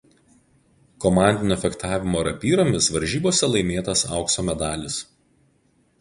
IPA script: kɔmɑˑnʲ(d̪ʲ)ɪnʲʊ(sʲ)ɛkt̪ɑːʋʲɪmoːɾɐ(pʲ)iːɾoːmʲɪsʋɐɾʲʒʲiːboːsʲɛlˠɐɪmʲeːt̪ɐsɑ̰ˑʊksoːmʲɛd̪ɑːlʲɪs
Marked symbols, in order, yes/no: yes, no, yes

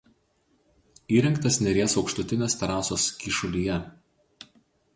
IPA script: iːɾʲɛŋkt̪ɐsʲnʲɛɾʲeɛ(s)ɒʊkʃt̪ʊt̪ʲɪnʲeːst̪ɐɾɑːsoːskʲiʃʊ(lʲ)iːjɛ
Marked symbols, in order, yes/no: yes, yes

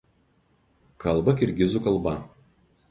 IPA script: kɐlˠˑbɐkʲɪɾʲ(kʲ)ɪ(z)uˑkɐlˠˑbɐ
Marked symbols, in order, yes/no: no, yes

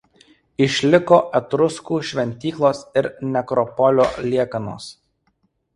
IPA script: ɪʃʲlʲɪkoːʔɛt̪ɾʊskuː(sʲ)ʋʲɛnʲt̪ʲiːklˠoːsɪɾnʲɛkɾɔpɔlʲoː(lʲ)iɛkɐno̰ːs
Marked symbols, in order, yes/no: no, yes

